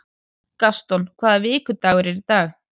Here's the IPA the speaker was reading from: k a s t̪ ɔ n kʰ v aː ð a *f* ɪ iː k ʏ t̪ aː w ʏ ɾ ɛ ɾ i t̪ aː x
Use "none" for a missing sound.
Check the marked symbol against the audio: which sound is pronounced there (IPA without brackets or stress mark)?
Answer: v